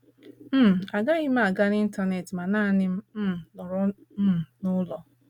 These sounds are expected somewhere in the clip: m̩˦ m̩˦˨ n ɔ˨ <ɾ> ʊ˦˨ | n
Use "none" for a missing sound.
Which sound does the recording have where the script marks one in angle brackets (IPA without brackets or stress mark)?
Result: ɾ